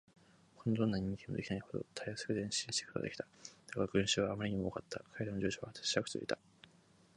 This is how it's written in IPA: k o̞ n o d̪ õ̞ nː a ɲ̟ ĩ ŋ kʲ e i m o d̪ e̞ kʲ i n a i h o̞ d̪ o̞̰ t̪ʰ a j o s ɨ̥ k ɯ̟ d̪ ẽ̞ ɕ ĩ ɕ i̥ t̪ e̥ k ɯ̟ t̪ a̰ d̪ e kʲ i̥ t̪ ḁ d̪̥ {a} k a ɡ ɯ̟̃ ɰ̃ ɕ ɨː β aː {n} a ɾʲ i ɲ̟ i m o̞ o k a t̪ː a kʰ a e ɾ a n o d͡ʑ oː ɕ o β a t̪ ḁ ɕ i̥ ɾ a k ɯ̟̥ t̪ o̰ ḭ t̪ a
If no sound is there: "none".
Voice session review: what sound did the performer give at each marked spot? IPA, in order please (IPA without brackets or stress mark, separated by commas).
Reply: a, m